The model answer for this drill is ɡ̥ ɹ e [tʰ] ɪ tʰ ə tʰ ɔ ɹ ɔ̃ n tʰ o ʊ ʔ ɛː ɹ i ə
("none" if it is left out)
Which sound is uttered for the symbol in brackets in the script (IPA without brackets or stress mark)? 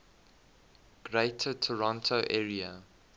none